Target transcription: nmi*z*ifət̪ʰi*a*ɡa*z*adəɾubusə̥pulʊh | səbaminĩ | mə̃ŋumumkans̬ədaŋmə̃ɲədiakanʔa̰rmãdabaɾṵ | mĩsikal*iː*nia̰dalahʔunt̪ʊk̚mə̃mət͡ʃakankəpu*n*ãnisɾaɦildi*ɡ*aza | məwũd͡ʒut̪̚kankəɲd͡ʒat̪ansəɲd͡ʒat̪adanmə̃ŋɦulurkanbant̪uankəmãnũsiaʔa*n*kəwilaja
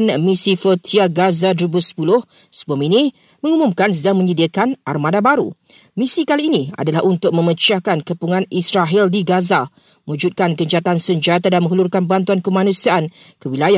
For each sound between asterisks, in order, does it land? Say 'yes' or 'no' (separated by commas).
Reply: no, yes, yes, yes, no, yes, yes